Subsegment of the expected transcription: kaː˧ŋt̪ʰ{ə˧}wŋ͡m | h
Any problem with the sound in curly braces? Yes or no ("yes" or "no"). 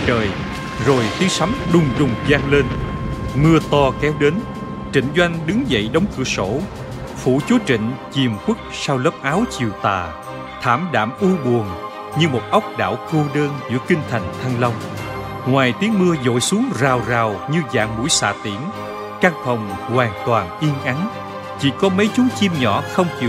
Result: yes